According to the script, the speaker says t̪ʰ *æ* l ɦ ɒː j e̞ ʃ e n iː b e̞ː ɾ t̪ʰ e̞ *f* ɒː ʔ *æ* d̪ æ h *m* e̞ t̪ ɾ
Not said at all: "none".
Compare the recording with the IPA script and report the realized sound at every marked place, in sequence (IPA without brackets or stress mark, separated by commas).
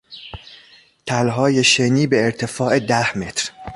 æ, f, e, m